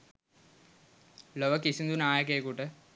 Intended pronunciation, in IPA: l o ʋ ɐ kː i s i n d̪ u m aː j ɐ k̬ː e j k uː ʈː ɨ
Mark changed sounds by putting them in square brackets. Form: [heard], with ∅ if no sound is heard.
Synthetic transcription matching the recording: l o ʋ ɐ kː i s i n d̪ u [n] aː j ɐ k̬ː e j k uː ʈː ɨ